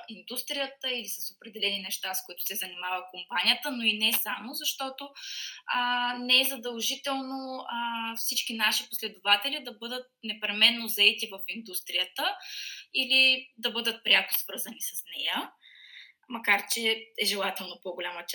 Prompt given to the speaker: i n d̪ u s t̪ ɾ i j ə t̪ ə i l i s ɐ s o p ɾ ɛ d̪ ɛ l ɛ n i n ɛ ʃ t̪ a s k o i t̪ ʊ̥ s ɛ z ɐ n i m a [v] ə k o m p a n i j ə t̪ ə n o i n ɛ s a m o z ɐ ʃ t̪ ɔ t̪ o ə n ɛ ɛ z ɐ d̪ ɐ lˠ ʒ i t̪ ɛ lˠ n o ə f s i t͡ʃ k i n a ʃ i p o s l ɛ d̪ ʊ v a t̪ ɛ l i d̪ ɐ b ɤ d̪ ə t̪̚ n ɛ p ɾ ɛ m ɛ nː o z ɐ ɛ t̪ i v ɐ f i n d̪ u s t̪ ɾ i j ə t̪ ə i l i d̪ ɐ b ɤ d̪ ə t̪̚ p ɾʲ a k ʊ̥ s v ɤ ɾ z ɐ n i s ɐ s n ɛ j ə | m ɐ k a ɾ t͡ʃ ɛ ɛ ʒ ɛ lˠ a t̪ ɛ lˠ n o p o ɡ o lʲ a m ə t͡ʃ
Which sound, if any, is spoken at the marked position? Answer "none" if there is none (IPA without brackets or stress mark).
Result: v